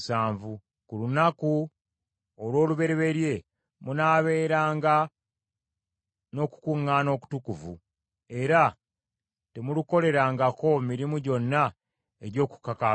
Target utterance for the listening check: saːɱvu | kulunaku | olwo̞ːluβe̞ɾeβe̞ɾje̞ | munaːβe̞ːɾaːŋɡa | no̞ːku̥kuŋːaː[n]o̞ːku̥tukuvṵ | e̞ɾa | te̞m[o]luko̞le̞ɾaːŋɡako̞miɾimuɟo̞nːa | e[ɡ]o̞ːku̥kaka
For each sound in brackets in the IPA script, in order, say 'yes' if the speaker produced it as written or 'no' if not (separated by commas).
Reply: yes, no, no